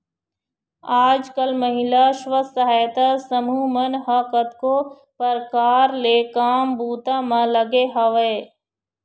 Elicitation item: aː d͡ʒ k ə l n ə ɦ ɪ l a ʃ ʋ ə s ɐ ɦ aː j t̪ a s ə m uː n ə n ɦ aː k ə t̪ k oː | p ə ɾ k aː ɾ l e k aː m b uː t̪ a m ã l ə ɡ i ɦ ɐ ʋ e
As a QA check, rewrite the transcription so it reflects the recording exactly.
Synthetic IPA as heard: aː d͡ʒ k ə l m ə ɦ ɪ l a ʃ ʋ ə s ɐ ɦ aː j t̪ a s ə m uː m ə n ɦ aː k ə t̪ k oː | p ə ɾ k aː ɾ l e k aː m b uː t̪ a m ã l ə ɡ e ɦ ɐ ʋ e